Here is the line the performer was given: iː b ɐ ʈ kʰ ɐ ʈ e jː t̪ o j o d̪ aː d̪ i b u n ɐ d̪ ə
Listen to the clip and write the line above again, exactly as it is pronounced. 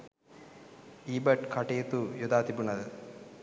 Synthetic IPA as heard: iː b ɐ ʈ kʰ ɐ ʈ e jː t̪ u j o d̪ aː t̪ i b u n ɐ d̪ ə